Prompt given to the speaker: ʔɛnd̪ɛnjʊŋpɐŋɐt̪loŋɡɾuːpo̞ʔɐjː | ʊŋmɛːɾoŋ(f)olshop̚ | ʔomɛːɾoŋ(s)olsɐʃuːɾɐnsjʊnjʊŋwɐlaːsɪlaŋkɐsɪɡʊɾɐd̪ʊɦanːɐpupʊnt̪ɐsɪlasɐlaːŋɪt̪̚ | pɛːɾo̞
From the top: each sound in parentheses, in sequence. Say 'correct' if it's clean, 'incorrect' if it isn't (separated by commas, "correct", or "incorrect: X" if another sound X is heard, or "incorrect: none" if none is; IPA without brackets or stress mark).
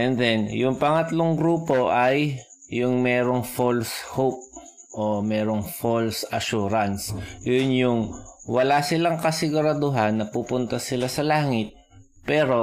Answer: correct, incorrect: f